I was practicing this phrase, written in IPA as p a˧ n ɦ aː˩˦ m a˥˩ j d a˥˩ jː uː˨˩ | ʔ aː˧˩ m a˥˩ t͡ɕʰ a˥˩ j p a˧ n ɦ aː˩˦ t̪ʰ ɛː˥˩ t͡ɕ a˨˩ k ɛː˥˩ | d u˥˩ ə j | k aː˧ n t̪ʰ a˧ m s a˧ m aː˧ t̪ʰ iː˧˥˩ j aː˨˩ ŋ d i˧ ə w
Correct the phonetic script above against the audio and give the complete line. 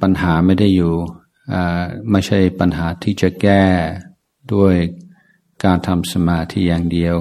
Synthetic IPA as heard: p a˧ n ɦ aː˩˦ m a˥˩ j d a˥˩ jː uː˨˩ | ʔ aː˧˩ m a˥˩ t͡ɕʰ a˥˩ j p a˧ n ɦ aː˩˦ t̪ʰ iː˥˩ t͡ɕ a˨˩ k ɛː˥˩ | d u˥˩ ə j | k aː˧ n t̪ʰ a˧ m s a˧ m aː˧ t̪ʰ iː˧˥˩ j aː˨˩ ŋ d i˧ ə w